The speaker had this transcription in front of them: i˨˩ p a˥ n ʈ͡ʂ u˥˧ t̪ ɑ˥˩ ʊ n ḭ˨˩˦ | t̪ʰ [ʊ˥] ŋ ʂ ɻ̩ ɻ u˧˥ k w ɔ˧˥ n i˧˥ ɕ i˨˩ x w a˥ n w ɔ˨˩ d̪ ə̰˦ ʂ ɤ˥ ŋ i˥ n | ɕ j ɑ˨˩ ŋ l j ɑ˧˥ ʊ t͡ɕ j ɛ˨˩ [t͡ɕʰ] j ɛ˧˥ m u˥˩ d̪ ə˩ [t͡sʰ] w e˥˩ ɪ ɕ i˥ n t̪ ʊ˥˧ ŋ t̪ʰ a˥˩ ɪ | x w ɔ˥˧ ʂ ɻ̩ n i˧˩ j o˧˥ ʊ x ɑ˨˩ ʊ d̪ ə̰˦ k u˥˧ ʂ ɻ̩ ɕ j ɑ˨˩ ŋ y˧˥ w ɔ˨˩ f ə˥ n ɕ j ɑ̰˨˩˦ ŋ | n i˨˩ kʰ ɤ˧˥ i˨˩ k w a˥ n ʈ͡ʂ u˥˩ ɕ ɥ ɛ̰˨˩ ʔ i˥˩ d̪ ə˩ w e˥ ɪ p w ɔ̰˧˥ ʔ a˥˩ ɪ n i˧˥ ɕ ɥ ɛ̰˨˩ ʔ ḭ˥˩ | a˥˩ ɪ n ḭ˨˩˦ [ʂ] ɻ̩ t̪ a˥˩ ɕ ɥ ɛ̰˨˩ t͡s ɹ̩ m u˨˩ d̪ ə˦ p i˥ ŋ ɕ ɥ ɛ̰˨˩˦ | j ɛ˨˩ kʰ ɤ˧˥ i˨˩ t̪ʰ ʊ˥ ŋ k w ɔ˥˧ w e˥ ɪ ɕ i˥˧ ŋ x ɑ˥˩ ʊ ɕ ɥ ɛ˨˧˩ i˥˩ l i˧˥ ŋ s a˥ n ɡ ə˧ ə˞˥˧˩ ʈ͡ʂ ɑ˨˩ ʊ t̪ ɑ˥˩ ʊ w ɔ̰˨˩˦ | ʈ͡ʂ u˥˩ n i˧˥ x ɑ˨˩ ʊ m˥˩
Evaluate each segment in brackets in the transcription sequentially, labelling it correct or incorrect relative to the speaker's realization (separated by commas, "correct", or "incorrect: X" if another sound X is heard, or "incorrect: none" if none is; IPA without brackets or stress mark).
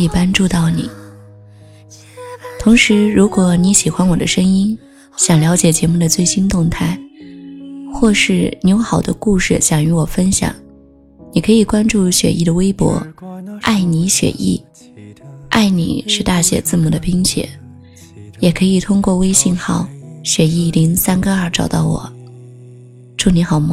incorrect: ʊ˧˥, incorrect: t͡ɕ, incorrect: t͡s, correct